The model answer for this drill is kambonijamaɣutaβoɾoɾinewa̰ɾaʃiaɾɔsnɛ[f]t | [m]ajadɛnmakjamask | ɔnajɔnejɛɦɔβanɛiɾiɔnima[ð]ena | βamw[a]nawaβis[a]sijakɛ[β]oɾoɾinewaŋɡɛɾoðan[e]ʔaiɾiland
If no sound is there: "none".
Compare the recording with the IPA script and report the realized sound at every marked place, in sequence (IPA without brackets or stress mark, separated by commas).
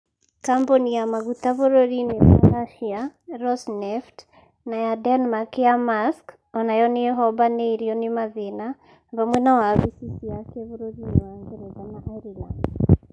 f, n, ð, ɛ, i, β, a